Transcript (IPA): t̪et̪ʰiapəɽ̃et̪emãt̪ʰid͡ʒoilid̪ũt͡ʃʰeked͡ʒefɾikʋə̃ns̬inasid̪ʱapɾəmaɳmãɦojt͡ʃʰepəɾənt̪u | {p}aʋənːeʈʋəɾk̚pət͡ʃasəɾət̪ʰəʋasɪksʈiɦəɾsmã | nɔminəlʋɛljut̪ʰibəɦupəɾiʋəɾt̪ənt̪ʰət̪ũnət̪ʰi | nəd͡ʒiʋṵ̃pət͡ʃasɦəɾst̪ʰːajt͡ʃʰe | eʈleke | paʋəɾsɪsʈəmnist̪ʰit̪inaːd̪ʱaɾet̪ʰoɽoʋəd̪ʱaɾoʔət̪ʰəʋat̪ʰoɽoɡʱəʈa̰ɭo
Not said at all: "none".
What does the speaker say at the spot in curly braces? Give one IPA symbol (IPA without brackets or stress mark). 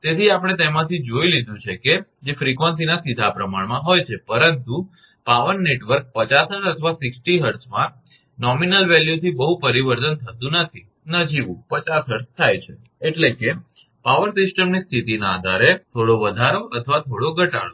p